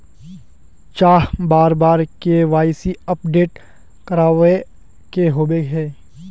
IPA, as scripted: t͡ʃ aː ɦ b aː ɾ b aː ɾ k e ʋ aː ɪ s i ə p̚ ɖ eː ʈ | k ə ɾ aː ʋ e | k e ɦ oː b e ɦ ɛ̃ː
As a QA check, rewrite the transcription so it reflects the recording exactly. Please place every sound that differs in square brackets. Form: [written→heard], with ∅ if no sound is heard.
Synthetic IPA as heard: t͡ʃ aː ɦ b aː ɾ b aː ɾ k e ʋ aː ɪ s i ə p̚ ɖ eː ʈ | k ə ɾ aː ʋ e | k e ɦ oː b e ɦ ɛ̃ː

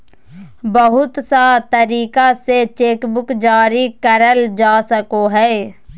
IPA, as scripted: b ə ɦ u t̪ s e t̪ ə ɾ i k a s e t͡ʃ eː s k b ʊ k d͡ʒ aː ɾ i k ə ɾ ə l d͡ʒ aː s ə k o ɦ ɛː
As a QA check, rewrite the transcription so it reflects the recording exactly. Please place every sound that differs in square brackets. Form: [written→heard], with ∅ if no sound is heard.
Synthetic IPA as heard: b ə ɦ [u→ʊ] t̪ s [e→a] t̪ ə ɾ [i→iː] k a s e t͡ʃ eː [s→∅] k b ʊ k d͡ʒ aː ɾ i k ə ɾ ə l d͡ʒ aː s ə k o ɦ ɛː

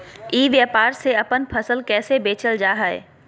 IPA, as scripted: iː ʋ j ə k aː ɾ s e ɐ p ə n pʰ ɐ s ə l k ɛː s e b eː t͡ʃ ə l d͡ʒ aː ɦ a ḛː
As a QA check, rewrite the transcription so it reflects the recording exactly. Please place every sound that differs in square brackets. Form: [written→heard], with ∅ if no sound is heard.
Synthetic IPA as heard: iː ʋ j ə [k→p] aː ɾ s e ɐ p ə n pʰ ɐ s ə l k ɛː s e b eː t͡ʃ ə l d͡ʒ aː ɦ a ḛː

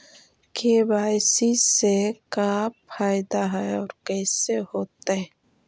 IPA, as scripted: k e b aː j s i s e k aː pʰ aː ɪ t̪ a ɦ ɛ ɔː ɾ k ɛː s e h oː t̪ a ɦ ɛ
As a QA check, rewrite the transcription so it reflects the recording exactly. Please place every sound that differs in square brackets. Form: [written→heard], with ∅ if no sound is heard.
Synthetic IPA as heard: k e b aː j s i s e k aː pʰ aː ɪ [t̪→d̪] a ɦ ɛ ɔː ɾ k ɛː s e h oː t̪ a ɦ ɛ

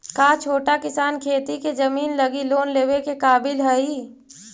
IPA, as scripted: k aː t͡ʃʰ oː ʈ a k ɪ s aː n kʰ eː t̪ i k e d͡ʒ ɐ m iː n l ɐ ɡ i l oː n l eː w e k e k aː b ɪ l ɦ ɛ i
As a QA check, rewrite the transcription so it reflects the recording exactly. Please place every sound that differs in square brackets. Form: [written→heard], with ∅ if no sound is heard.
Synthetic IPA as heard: k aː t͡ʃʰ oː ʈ a k ɪ s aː n kʰ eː t̪ i k e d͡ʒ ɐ m iː n l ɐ ɡ i l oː n l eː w e k e k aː b ɪ l ɦ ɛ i

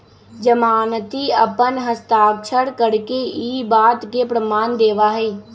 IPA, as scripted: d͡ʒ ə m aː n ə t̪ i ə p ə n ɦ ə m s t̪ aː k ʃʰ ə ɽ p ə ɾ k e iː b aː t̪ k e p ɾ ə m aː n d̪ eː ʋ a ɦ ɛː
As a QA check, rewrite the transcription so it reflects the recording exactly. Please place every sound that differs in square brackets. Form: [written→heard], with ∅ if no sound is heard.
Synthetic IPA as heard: d͡ʒ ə m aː n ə t̪ i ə p ə n ɦ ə [m→∅] s t̪ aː k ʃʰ ə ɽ [p→k] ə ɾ k e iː b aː t̪ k e p ɾ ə m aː n d̪ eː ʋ a ɦ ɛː

